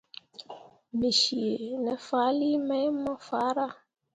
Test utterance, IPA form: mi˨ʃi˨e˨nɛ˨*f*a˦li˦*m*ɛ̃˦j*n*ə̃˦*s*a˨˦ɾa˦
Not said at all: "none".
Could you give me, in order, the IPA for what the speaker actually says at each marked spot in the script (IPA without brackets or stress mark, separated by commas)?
f, m, m, f